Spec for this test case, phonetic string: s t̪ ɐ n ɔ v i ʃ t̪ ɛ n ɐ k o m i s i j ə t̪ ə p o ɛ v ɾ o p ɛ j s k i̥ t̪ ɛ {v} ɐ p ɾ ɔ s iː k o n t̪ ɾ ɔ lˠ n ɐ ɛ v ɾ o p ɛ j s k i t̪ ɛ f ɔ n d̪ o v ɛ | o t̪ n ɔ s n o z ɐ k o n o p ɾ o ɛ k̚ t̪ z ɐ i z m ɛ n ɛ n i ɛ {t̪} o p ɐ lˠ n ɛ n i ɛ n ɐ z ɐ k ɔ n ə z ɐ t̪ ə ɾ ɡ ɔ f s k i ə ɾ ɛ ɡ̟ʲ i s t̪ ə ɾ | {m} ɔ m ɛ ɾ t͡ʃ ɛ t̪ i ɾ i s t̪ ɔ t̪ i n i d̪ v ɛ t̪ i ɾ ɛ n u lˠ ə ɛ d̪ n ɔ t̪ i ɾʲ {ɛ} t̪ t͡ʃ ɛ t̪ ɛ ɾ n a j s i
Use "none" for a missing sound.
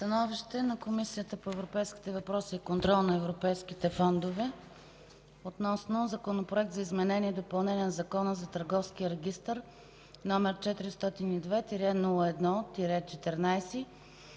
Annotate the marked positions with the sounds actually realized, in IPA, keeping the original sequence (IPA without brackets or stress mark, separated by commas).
v, d̪, n, ɛ